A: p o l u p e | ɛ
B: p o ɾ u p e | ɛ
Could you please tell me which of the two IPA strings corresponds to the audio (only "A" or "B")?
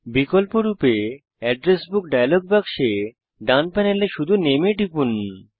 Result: B